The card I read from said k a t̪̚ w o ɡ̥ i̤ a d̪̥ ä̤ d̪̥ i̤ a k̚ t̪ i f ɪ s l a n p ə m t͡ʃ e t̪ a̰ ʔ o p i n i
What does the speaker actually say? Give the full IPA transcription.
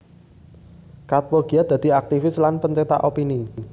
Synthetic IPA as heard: k a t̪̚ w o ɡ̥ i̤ a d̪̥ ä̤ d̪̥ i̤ a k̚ t̪ i f ɪ s l a n p ə ɲ t͡ʃ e t̪ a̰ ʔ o p i n i